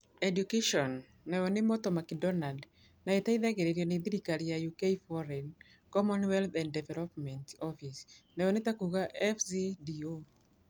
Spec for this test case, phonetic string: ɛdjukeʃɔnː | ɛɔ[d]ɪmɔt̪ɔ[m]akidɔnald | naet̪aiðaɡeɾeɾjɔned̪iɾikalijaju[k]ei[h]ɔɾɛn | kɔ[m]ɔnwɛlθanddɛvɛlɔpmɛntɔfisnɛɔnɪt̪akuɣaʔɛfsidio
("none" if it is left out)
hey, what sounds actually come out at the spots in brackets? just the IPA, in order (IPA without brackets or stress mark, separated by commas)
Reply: n, m, k, f, m